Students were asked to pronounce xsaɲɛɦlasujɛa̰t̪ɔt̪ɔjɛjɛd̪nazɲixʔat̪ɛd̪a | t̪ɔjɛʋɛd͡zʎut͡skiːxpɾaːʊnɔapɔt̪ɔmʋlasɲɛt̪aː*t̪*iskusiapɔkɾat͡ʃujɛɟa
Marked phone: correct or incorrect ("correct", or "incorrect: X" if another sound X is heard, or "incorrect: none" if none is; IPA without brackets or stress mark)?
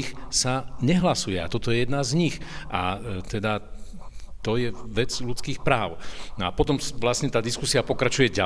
incorrect: d̪